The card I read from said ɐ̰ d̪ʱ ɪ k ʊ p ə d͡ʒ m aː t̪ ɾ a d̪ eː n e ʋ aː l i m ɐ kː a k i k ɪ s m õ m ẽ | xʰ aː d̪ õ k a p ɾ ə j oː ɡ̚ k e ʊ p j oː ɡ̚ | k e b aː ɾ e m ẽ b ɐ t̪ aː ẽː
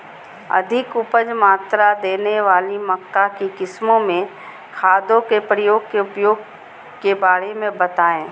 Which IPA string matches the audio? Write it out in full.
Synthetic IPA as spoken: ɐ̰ d̪ʱ ɪ k ʊ p ə d͡ʒ m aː t̪ ɾ a d̪ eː n e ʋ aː l i m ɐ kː a k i k ɪ s m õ m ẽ | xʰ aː d̪ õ k e p ɾ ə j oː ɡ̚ k e ʊ p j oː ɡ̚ | k e b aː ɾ e m ẽ b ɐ t̪ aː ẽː